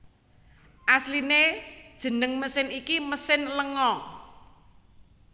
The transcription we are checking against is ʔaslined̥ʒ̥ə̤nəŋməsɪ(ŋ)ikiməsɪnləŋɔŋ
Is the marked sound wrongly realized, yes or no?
yes